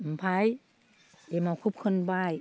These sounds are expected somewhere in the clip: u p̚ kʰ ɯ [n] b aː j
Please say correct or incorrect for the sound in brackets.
correct